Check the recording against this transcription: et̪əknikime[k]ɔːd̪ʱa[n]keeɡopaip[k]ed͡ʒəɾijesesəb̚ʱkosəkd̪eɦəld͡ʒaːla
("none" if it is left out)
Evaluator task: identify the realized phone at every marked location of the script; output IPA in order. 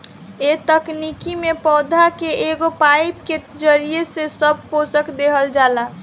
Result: p, none, k

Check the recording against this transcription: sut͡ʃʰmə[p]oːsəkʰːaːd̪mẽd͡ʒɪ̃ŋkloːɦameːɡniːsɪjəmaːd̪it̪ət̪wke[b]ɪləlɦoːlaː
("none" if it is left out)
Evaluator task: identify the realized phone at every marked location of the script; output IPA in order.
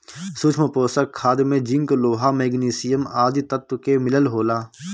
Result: p, m

